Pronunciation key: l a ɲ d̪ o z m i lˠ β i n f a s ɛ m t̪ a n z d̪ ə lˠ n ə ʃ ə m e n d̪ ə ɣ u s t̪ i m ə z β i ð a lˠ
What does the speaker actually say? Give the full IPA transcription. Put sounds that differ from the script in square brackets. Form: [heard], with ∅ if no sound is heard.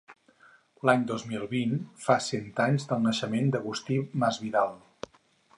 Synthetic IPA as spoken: l a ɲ d̪ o z m i lˠ β i n f a s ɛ [n] t̪ a [ɲ] z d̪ ə lˠ n ə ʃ ə m e n d̪ ə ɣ u s t̪ i m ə z β i ð a lˠ